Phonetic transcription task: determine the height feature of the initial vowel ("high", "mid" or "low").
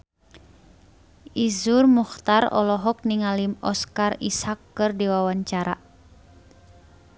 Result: high